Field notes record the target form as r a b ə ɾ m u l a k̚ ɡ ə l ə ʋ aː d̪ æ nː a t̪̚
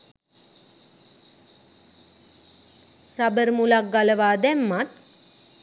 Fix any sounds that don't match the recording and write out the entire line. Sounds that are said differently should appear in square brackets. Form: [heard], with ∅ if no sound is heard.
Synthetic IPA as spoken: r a b ə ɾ m u l a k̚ ɡ [a] l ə ʋ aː d̪ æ [mː] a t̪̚